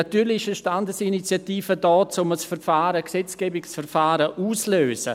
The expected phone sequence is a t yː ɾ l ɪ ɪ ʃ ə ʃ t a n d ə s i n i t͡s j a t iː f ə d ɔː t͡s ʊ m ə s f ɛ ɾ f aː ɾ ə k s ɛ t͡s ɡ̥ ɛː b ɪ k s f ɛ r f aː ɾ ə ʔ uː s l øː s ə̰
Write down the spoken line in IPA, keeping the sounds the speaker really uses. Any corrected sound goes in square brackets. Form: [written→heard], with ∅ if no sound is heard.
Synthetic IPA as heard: a t yː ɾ l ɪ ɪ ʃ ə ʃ t a n d ə s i n i t͡s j a t iː f ə d ɔː t͡s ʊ m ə s f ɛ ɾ f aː ɾ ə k s ɛ t͡s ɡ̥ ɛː b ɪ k s f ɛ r f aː ɾ ə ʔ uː s l øː s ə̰